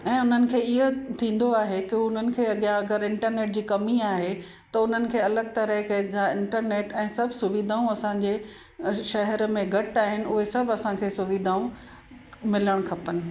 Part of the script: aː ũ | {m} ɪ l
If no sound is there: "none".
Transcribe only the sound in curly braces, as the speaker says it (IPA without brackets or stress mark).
m